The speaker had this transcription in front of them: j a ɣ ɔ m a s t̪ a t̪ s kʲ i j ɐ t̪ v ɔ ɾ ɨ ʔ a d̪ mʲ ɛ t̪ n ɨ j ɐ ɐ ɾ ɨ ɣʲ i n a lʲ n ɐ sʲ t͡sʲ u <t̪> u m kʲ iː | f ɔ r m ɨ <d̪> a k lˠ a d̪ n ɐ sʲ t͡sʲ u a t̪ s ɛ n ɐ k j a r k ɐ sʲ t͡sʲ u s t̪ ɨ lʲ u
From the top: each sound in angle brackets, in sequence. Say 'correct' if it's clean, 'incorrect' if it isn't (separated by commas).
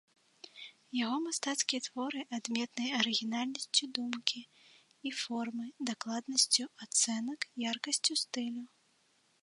incorrect, correct